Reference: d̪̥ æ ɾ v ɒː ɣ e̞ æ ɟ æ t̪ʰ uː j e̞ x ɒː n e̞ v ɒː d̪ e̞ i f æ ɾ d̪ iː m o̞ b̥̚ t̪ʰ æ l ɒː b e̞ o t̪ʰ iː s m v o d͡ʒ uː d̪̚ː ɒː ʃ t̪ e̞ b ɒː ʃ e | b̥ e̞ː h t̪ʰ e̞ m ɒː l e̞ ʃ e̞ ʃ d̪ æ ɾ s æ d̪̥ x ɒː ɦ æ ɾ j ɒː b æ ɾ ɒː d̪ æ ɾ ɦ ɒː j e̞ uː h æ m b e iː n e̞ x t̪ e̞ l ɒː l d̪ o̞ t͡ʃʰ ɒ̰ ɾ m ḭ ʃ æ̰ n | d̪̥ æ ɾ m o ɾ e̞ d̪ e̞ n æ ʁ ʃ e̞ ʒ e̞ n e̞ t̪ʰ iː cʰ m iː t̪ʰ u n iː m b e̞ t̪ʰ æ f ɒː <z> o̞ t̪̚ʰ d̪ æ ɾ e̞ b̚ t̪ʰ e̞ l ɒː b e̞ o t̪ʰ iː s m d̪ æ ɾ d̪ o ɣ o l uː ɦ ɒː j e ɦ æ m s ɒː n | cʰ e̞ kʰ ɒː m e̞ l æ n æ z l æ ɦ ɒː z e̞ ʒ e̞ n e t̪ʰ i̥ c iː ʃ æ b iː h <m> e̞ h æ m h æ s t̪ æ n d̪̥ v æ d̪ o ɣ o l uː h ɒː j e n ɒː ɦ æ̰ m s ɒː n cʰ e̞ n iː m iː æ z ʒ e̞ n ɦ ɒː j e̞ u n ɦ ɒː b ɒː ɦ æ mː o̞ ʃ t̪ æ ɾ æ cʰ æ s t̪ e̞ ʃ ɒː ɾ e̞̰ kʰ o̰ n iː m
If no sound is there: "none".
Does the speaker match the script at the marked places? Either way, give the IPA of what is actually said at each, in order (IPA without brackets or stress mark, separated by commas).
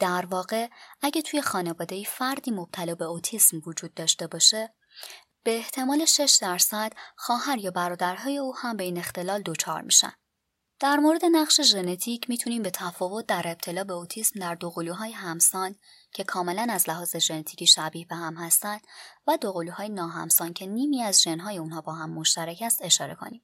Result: v, b